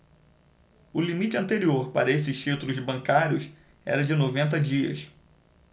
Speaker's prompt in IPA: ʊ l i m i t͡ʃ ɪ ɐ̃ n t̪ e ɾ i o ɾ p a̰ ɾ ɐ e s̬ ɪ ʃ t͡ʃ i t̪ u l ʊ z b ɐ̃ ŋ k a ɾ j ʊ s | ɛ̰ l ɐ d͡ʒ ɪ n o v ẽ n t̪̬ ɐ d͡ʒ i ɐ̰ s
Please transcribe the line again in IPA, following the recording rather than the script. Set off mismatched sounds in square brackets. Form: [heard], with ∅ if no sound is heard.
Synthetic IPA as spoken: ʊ l i m i t͡ʃ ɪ ɐ̃ n t̪ e ɾ i o ɾ p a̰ ɾ ɐ e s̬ ɪ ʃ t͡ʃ i t̪ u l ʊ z b ɐ̃ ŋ k a ɾ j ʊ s | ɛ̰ [ɾ] ɐ d͡ʒ ɪ n o v ẽ n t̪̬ ɐ d͡ʒ i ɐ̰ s